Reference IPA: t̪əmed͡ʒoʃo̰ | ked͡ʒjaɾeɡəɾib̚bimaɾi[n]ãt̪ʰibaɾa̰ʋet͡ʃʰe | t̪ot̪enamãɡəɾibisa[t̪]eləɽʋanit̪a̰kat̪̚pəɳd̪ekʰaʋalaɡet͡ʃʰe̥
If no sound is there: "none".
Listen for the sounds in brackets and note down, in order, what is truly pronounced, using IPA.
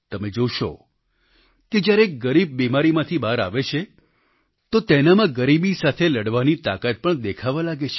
m, t̪ʰ

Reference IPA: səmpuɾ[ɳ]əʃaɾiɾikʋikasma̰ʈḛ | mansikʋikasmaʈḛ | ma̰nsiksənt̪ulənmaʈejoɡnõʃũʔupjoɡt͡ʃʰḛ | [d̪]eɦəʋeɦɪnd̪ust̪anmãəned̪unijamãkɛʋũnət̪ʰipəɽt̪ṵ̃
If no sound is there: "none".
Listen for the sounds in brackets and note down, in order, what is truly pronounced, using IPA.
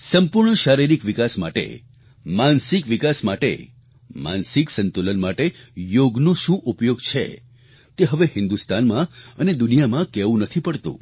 ɳ, t̪

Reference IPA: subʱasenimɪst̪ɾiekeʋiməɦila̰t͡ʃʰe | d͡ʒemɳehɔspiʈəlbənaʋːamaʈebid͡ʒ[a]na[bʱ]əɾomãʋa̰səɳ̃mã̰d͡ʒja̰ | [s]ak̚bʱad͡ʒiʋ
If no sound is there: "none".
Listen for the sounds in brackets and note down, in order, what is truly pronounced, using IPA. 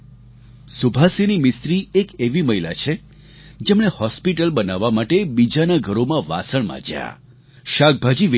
a, ɡʱ, ʃ

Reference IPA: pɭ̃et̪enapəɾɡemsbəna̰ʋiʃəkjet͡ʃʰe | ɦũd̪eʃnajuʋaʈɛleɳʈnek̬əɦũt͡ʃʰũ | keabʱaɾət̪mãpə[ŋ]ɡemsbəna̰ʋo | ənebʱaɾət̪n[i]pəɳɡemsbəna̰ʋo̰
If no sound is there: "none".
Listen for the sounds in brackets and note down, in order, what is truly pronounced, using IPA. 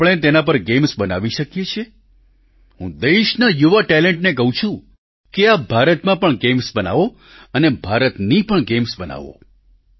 ɳ, i

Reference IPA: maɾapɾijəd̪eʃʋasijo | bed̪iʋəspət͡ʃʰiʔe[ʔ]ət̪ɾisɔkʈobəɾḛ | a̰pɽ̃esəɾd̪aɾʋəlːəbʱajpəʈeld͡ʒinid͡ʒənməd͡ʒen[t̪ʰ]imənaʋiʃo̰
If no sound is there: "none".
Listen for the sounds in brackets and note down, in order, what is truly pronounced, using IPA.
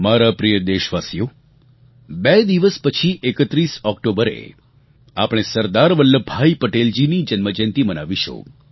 k, t̪

